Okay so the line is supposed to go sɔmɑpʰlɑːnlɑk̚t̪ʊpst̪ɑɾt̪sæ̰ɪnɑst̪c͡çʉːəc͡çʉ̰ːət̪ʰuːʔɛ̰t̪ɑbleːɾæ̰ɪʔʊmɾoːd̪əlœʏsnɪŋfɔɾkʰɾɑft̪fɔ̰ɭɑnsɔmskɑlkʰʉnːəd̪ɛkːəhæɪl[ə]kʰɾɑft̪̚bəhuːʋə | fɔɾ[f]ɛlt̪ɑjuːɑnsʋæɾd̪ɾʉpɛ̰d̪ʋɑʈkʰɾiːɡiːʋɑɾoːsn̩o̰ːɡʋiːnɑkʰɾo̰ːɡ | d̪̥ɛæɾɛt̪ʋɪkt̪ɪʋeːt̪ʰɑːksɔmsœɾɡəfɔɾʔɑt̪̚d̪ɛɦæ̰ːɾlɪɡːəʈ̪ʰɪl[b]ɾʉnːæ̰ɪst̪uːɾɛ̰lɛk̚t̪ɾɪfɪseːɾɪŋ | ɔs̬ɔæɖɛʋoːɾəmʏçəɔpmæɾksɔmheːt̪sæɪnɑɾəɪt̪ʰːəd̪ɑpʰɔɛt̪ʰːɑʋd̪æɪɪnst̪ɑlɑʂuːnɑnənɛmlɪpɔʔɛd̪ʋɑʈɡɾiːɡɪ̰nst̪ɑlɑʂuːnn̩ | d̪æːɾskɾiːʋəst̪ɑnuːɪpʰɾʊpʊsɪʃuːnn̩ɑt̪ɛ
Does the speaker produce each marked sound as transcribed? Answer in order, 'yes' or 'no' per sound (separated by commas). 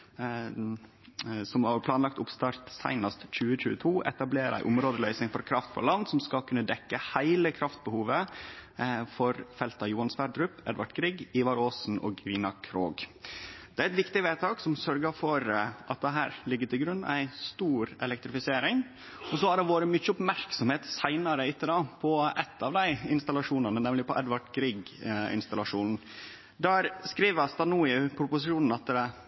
yes, yes, no